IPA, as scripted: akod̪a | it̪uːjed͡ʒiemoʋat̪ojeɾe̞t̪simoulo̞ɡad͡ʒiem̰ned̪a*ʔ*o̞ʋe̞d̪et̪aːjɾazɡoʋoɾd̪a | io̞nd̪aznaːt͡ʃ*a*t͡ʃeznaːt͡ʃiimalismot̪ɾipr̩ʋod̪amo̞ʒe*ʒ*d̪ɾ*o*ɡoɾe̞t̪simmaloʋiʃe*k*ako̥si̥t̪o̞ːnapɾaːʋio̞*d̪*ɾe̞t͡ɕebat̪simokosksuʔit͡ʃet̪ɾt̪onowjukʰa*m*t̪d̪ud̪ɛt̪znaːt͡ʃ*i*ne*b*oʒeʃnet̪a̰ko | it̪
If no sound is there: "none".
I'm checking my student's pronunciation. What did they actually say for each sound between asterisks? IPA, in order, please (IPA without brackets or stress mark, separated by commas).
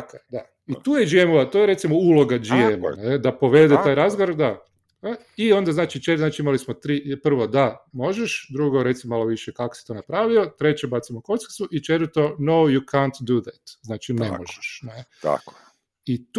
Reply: p, i, ʃ, u, k, t̪, n, i, m